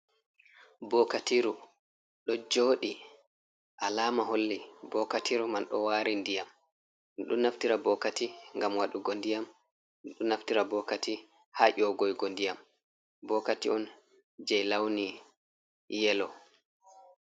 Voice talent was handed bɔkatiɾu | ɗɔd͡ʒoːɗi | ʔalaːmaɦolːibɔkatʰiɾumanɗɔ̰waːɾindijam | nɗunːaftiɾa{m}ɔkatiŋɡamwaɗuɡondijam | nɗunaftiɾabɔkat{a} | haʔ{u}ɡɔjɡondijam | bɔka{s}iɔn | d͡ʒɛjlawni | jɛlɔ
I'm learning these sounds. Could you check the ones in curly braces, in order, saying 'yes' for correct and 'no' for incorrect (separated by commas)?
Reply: no, no, no, no